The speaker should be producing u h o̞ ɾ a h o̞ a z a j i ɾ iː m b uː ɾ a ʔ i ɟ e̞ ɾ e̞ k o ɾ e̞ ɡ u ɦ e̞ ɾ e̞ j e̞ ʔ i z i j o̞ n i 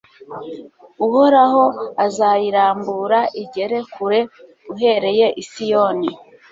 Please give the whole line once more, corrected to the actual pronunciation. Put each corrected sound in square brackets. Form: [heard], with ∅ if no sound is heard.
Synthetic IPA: u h o̞ ɾ a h o̞ a z a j i ɾ [aː] m b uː ɾ a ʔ i ɟ e̞ ɾ e̞ k [u] ɾ e̞ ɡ u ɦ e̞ ɾ e̞ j e̞ ʔ i [s] i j o̞ n i

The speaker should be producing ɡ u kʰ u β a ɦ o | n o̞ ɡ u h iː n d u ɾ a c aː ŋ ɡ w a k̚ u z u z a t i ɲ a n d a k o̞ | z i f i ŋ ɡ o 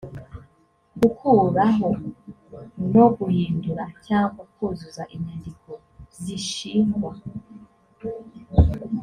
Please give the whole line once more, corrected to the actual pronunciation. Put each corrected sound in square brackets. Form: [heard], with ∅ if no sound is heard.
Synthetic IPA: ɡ u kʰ u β a ɦ o | n o̞ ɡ u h iː n d u ɾ a c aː ŋ ɡ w a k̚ u z u z a [ʔ] i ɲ a n d [i] k o̞ | z i [ʃ] i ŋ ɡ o

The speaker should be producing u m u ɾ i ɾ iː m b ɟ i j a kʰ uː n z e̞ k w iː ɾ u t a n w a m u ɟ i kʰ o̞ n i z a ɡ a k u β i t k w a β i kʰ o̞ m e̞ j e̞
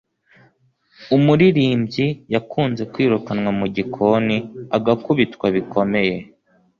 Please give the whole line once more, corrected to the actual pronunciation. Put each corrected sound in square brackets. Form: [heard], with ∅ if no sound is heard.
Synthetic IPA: u m u ɾ i ɾ iː m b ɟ i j a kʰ uː n z e̞ k w iː ɾ u [k] a n w a m u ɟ i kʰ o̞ n i [∅] a ɡ a k u β i t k w a β i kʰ o̞ m e̞ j e̞

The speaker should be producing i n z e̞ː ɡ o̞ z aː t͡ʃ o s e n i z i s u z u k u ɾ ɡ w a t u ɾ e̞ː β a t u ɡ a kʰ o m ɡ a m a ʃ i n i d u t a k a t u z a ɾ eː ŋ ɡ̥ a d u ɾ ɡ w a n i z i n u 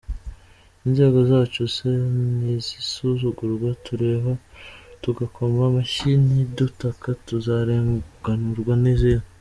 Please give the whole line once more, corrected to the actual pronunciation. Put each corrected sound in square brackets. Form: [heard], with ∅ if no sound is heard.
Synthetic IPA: i n z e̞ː ɡ o̞ z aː t͡ʃ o s e n i z i s u z u [ɡ] u ɾ ɡ w a t u ɾ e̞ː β a t u ɡ a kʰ o m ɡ a m a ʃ i n i d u t a k a t u z a ɾ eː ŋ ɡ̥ a [n] u ɾ ɡ w a n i z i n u

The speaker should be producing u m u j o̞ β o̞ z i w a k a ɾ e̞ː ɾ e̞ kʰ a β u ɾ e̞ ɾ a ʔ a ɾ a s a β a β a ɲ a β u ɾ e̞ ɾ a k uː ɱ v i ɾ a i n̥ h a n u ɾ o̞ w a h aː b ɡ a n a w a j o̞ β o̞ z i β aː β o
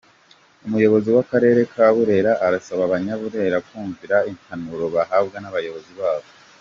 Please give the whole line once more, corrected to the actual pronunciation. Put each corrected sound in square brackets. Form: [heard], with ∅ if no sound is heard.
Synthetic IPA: u m u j o̞ β o̞ z i w a k a ɾ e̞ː ɾ e̞ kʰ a β u ɾ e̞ ɾ a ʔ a ɾ a s a β a β a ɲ a β u ɾ e̞ ɾ a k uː ɱ v i ɾ a i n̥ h a n u ɾ o̞ [β] a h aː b ɡ a n a [β] a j o̞ β o̞ z i β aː β o

